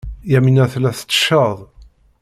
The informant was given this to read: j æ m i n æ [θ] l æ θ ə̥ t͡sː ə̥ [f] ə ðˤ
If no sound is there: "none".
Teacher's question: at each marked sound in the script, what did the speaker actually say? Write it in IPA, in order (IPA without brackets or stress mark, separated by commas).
θ, ʃ